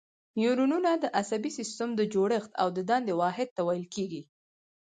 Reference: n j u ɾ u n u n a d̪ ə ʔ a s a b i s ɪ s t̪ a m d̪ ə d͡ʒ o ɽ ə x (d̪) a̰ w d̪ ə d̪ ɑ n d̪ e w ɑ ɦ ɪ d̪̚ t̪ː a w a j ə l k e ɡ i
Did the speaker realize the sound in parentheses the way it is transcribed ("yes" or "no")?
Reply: no